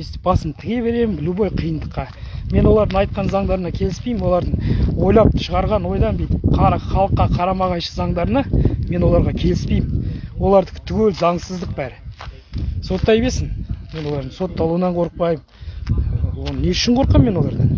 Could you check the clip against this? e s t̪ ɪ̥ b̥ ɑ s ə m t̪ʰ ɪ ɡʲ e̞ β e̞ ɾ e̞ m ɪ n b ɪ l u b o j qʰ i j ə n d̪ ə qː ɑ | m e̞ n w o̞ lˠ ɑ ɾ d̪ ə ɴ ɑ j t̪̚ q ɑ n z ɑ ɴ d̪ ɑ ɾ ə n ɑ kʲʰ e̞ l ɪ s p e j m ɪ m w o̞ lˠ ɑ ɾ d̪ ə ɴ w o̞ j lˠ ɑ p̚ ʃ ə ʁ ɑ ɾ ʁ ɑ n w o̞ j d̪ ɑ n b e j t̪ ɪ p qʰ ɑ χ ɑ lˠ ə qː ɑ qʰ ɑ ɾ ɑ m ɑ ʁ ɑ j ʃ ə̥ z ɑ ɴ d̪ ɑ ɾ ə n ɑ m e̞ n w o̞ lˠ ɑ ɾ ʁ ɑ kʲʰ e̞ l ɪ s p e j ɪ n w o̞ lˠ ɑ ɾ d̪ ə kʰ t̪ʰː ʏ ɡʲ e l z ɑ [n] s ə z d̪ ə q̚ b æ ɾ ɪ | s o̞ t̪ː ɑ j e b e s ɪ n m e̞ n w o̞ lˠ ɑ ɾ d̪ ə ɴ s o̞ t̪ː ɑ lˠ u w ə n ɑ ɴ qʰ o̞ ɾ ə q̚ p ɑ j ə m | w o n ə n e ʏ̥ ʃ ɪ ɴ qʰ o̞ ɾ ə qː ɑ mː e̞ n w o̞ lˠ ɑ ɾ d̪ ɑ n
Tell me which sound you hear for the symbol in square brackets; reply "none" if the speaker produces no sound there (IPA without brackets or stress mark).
ɴ